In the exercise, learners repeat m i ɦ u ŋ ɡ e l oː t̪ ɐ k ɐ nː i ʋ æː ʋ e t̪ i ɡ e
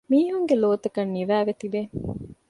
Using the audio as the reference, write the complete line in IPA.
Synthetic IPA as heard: m iː ɦ u ŋ ɡ e l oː t̪ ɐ k ɐ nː i ʋ æː ʋ e t̪ i b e